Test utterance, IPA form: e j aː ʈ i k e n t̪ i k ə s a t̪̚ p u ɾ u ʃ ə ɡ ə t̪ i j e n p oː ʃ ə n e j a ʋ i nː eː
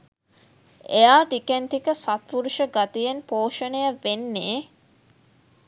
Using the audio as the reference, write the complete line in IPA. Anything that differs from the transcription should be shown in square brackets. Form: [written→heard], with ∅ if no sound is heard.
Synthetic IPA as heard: e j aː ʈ i k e n t̪ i k ə s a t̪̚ p u ɾ u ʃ ə ɡ [ə→a] t̪ i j e n p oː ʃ ə n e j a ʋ [i→e] nː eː